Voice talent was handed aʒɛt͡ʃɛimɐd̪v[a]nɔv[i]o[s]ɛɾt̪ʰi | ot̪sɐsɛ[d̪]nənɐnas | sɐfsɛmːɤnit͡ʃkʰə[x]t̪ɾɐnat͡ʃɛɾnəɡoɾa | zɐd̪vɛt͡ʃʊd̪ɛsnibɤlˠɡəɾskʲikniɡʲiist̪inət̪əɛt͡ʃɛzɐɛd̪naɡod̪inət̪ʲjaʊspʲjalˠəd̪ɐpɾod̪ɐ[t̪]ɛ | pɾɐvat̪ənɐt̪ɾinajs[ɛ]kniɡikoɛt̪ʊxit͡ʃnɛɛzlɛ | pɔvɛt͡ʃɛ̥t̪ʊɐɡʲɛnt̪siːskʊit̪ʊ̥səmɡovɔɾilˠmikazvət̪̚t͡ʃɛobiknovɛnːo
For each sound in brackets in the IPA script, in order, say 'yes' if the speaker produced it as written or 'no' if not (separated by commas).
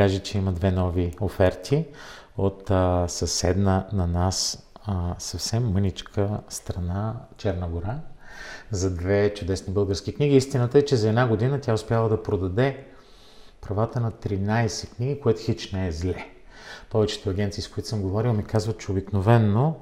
no, yes, no, yes, no, no, yes